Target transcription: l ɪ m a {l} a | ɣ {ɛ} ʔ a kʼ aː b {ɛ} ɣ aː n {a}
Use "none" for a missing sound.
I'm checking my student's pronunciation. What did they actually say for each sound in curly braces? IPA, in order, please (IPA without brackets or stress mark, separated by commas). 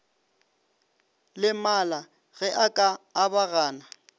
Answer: l, ɛ, a, a